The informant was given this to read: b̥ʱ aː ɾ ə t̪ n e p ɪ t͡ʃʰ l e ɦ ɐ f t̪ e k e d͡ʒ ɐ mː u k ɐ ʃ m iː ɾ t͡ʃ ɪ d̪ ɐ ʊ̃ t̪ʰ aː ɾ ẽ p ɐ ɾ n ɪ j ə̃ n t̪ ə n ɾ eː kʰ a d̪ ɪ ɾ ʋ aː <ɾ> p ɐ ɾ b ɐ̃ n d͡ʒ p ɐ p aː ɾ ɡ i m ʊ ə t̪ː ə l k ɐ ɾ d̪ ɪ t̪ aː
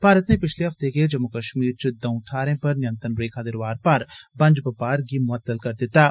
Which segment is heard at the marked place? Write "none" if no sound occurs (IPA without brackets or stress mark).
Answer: ɾ